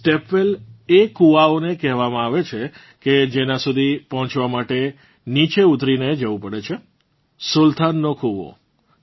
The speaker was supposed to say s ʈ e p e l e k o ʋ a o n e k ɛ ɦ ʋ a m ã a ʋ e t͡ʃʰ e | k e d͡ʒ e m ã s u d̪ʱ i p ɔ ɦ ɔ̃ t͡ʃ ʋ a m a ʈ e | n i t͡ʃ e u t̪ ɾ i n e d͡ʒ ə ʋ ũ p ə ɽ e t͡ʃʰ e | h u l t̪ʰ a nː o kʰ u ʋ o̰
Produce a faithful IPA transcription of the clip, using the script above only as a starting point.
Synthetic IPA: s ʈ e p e l e k u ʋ a o n e k ɛ ɦ ʋ a m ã a ʋ e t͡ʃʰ e | k e d͡ʒ e n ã s u d̪ʱ i p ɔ ɦ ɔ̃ t͡ʃ ʋ a m a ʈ e | n i t͡ʃ e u t̪ ɾ i n e d͡ʒ ə ʋ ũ p ə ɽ e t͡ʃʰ e | s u l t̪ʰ a nː o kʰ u ʋ o̰